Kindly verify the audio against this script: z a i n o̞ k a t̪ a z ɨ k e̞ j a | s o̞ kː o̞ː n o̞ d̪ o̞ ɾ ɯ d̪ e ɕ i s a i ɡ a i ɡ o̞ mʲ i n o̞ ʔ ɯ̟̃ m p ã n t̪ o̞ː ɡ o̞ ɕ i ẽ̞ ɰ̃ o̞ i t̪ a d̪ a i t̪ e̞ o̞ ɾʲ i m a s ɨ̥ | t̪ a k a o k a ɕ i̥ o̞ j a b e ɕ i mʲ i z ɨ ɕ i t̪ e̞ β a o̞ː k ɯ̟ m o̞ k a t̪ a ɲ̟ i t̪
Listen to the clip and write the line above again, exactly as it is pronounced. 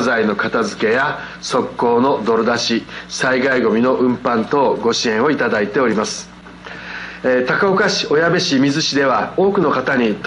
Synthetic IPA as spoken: z a i n o̞ k a t̪ a z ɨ k e̞ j a | s o̞ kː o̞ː n o̞ d̪ o̞ ɾ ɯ d̪ a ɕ i s a i ɡ a i ɡ o̞ mʲ i n o̞ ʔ ɯ̟̃ m p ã n t̪ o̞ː ɡ o̞ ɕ i ẽ̞ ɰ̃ o̞ i t̪ a d̪ a i t̪ e̞ o̞ ɾʲ i m a s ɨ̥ | t̪ a k a o k a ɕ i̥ o̞ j a b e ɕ i mʲ i z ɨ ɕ i d̪ e̞ β a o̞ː k ɯ̟ n o̞ k a t̪ a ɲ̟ i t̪